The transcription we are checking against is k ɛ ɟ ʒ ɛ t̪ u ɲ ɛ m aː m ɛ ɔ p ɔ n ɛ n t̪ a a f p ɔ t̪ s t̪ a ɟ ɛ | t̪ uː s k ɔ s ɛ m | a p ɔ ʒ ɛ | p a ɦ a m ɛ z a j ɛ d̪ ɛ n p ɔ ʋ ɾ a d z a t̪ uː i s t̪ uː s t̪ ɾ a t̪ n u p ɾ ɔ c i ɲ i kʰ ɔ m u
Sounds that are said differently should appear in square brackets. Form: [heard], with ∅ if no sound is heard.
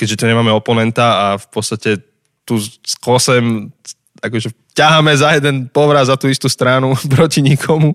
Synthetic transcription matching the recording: k ɛ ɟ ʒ ɛ t̪ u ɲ ɛ m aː m ɛ ɔ p ɔ n ɛ n t̪ a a f p ɔ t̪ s t̪ a [c] ɛ | t̪ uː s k ɔ s ɛ m | a [k] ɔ ʒ ɛ | [c] a ɦ a m ɛ z a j ɛ d̪ ɛ n p ɔ ʋ ɾ a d z a t̪ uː i s t̪ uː s t̪ ɾ a [∅] n u p ɾ ɔ c i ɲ i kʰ ɔ m u